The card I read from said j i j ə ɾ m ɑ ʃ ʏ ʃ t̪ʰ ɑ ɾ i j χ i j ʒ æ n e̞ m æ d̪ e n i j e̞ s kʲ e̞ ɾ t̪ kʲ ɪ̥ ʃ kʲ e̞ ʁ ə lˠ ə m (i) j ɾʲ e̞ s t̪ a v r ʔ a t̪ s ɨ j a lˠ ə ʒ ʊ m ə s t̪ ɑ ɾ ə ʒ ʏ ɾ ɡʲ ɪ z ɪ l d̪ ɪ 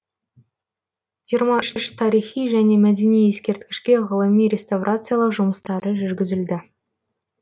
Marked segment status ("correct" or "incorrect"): correct